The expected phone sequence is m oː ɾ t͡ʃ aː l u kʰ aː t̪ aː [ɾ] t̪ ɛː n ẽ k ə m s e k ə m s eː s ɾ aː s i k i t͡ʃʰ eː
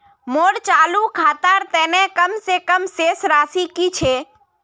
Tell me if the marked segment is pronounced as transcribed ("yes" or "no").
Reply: yes